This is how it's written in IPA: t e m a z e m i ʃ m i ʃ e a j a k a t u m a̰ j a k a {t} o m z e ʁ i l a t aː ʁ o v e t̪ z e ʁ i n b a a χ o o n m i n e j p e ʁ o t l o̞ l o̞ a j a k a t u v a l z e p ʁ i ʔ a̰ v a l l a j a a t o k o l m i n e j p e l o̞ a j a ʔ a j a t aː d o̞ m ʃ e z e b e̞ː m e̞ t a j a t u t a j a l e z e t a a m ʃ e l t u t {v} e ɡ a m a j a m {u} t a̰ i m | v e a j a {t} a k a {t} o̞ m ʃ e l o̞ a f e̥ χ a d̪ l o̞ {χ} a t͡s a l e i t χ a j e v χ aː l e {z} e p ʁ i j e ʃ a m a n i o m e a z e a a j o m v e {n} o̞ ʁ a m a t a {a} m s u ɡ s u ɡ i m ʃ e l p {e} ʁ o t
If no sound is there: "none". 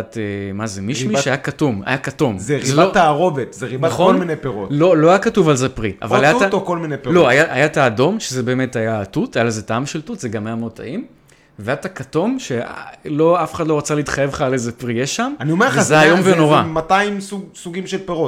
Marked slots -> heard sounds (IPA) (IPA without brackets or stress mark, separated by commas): t, z, o, t, t, ʁ, z, n, i, e